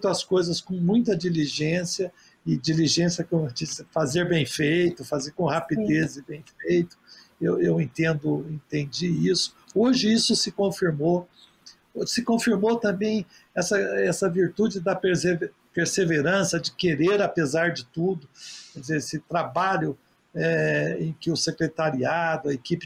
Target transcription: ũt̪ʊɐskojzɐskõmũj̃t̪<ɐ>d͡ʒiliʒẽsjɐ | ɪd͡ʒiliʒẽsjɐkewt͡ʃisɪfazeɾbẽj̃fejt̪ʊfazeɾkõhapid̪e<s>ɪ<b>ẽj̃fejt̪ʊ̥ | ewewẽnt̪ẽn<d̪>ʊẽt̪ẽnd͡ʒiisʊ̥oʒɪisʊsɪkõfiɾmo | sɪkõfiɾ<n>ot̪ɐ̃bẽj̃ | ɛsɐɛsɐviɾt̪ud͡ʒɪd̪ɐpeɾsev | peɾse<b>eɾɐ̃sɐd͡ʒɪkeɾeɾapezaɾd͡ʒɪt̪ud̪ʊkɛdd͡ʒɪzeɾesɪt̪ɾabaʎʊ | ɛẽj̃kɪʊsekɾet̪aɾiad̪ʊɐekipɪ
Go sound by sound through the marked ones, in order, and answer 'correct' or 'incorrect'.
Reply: correct, incorrect: z, correct, correct, incorrect: m, incorrect: v

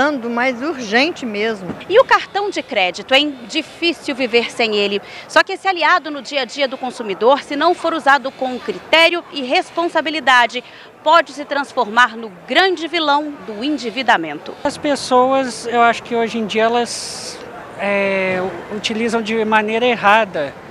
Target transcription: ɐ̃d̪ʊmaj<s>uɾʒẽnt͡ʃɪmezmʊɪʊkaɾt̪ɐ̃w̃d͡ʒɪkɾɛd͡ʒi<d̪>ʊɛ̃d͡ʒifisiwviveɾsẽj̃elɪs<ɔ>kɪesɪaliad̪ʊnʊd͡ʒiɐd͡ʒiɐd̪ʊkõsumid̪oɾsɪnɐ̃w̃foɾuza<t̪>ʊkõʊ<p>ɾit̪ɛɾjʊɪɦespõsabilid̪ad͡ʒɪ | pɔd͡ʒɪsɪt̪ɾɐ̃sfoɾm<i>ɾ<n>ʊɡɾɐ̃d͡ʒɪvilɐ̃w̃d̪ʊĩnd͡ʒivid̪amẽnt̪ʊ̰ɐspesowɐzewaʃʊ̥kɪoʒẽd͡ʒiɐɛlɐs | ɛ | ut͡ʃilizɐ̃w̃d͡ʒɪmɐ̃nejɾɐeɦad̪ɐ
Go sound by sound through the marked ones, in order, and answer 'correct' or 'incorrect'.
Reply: incorrect: z, incorrect: t̪, correct, incorrect: d̪, incorrect: k, incorrect: a, correct

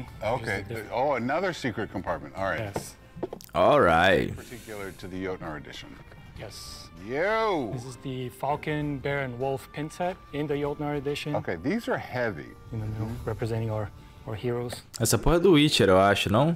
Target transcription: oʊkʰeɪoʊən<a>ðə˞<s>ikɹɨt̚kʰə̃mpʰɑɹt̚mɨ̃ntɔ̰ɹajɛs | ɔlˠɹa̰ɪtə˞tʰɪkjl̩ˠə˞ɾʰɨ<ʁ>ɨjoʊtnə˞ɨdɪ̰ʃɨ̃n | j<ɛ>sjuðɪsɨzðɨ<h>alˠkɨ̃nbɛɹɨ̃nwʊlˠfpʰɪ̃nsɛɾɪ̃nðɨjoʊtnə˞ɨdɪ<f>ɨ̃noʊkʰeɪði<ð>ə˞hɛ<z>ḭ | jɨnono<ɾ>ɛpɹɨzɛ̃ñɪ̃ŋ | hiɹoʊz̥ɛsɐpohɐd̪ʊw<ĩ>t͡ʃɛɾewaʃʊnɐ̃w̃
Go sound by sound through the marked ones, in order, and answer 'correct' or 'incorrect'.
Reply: incorrect: ʌ, correct, incorrect: ð, correct, incorrect: f, incorrect: ʃ, incorrect: z, incorrect: v, incorrect: ɹ, incorrect: i

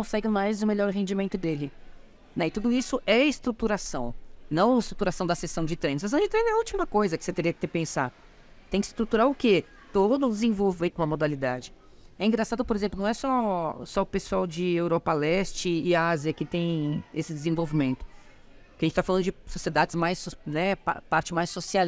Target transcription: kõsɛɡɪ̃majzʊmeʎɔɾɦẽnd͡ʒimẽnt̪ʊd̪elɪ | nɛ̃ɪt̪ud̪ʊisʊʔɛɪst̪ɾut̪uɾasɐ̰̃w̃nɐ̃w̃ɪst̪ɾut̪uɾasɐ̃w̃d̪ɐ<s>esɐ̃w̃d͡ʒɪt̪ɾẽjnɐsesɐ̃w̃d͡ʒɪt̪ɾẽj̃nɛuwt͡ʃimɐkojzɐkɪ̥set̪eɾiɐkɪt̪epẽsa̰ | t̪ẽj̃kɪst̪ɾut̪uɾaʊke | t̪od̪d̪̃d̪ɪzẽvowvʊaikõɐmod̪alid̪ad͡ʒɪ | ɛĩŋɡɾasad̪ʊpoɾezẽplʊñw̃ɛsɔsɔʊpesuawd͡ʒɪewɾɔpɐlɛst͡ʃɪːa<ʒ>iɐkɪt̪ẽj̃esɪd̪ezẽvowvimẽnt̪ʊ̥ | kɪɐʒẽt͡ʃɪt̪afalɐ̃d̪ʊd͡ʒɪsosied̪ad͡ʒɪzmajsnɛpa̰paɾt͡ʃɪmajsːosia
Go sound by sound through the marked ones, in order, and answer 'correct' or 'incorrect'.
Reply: correct, incorrect: z

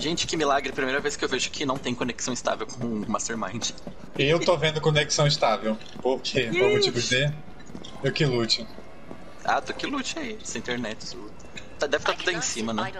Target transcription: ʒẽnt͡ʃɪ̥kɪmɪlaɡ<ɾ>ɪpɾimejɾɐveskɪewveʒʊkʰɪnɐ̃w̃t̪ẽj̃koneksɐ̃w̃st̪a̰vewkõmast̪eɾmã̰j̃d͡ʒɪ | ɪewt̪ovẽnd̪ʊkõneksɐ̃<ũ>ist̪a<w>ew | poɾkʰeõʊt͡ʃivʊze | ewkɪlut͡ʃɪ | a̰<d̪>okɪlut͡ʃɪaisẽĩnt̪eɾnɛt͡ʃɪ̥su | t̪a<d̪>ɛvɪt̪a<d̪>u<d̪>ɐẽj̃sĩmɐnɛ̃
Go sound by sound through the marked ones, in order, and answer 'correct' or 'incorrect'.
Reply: correct, incorrect: w̃, incorrect: v, incorrect: t̪, correct, incorrect: t̪, correct

